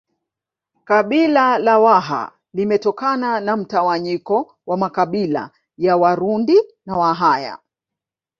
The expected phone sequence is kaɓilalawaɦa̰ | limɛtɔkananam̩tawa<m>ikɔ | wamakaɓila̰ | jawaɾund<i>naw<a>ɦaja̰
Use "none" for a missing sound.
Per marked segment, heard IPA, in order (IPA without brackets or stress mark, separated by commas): ɲ, i, a